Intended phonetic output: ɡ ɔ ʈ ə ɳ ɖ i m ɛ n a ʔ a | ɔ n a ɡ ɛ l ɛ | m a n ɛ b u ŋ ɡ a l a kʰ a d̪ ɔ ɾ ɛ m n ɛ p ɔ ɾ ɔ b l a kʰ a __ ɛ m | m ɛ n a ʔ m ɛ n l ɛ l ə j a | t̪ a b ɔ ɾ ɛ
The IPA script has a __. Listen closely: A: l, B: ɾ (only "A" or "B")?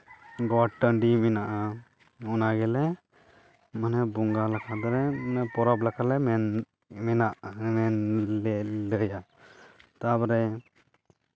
A